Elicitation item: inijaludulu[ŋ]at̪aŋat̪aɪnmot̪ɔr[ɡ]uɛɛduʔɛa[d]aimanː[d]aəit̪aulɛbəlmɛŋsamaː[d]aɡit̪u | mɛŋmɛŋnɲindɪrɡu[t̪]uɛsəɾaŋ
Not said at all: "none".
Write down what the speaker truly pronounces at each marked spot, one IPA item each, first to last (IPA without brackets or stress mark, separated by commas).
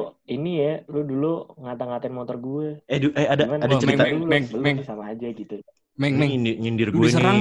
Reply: ŋ, ɡ, d, d, d͡ʒ, none